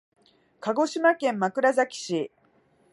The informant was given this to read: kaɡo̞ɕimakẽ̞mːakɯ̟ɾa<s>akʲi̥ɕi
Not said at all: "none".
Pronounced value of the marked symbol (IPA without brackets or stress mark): z